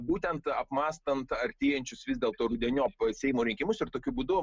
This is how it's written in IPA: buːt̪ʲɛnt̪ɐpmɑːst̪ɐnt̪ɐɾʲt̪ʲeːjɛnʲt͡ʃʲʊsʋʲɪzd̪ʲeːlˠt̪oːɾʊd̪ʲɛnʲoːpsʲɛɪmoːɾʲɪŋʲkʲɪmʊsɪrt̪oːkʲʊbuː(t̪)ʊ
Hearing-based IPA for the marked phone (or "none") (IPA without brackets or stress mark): d̪